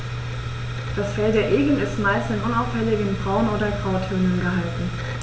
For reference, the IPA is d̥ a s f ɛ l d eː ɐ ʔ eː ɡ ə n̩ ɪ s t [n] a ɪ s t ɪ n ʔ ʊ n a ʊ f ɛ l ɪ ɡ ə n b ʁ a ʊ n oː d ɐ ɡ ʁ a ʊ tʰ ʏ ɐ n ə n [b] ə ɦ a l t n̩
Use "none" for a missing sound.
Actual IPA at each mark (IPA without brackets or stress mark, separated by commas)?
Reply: m, ɡ